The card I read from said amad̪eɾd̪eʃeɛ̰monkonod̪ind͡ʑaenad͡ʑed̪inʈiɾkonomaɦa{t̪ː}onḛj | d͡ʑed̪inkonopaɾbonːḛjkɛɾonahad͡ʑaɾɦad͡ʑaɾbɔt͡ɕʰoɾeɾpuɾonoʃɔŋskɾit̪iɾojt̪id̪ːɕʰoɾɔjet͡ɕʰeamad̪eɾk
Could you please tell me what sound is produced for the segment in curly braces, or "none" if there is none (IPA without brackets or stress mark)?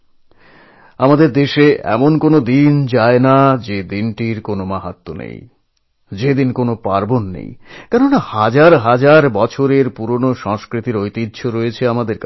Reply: t̪ː